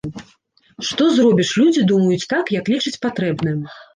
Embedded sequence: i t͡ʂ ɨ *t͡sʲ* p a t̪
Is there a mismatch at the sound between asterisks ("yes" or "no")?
no